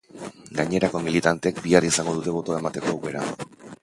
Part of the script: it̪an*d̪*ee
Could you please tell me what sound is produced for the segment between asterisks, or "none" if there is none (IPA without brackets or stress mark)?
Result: t̪